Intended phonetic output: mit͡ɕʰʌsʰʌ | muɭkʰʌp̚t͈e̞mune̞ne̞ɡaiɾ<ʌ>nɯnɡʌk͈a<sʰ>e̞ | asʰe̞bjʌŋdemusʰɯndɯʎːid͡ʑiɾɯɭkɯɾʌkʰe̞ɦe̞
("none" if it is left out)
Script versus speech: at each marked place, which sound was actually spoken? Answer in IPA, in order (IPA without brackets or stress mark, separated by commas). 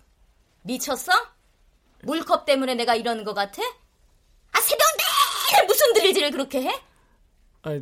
ʌ, tʰ